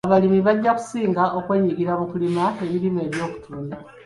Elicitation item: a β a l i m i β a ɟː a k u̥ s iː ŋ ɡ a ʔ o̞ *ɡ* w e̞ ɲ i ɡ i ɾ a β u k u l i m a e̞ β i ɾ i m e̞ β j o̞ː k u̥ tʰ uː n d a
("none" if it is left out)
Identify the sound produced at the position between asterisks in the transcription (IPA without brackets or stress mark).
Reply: k